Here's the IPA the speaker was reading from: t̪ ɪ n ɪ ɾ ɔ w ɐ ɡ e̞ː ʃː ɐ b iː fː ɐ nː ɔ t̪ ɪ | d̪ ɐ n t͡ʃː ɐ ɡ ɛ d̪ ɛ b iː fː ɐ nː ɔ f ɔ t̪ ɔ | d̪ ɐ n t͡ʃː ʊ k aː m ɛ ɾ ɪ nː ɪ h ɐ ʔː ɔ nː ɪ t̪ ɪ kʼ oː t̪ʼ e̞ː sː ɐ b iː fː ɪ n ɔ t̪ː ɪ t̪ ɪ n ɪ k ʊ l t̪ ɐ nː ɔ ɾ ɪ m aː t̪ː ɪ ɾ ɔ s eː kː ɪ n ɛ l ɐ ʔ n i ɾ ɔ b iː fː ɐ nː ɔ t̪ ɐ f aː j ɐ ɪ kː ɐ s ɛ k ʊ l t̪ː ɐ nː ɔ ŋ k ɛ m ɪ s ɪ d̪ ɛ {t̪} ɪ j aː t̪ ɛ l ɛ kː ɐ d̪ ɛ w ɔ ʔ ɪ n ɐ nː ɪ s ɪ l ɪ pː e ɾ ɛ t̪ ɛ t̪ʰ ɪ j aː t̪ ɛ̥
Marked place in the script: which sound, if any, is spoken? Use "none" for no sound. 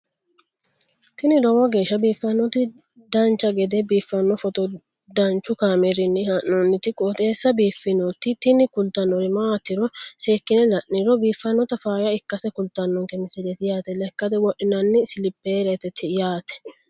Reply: t̪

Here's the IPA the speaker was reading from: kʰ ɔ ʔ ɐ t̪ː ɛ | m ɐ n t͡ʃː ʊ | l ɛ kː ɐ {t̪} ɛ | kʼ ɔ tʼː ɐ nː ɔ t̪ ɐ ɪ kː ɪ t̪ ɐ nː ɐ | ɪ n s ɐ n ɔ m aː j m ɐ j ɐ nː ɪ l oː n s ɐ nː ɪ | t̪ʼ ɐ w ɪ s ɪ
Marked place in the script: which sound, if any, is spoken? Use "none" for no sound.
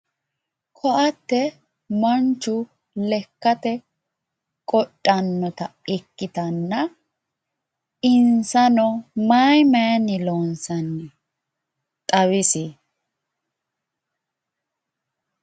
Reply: t̪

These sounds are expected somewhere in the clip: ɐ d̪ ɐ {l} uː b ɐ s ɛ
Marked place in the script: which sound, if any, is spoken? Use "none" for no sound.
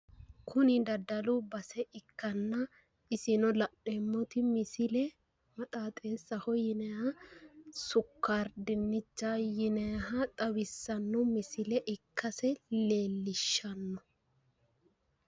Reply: l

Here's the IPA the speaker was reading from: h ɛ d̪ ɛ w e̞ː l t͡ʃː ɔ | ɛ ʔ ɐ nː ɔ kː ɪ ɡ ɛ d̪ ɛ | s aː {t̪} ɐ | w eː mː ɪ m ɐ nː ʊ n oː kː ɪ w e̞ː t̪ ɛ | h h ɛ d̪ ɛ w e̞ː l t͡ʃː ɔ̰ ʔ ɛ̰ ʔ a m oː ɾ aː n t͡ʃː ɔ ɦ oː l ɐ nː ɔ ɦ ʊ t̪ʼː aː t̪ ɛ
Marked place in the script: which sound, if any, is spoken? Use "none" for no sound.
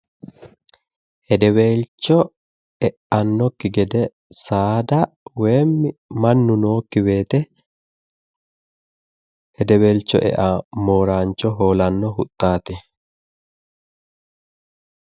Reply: d̪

